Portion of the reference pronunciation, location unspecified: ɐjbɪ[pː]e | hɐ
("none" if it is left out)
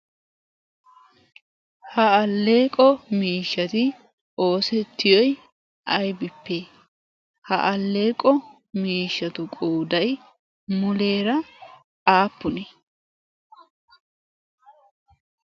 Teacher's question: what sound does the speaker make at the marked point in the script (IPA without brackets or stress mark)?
pː